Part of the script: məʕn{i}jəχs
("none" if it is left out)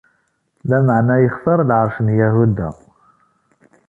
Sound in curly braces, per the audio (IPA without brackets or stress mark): æ